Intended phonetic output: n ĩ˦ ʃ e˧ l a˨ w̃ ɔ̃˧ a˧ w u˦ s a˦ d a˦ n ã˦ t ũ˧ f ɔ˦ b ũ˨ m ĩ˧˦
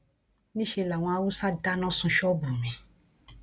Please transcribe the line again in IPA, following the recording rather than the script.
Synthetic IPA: n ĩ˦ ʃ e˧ l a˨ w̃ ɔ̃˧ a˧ w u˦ s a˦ d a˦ n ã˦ s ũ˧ ʃ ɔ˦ b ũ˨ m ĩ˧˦